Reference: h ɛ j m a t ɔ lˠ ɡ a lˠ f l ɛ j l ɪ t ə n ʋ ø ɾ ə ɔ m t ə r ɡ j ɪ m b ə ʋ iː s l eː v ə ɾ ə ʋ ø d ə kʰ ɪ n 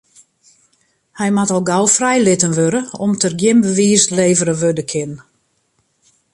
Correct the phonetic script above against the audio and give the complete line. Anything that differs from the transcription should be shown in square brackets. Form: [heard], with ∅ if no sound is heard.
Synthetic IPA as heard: h ɛ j m a t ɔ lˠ ɡ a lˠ f [r] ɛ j l ɪ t ə n ʋ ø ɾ ə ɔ m t ə r ɡ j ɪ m b ə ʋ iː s l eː v ə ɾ ə ʋ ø d ə kʰ ɪ n